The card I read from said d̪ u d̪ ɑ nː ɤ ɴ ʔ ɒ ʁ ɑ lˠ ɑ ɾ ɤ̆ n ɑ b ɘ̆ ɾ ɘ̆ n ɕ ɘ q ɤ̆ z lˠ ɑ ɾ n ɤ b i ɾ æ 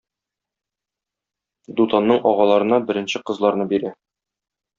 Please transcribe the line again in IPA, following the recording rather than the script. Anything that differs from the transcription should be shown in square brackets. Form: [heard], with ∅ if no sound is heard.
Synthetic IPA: d̪ u [t̪] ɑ nː ɤ ɴ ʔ ɒ ʁ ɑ lˠ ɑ ɾ ɤ̆ n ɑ b ɘ̆ ɾ ɘ̆ n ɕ ɘ q ɤ̆ z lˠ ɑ ɾ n ɤ b i ɾ æ